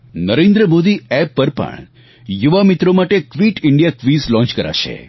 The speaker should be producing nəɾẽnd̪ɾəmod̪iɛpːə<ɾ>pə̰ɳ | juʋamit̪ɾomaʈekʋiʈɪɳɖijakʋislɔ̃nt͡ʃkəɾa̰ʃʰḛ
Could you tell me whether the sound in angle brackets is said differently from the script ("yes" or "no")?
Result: no